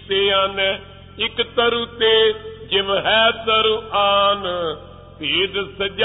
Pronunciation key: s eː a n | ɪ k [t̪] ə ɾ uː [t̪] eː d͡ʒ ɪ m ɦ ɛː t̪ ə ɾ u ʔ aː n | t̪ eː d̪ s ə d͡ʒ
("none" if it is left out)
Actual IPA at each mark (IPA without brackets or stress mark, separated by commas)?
t̪, t̪